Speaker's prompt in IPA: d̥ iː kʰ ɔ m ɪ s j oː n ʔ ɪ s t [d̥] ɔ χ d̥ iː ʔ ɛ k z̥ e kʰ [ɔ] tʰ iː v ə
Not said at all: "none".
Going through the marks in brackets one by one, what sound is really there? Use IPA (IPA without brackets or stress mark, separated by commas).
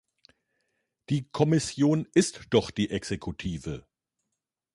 d̥, u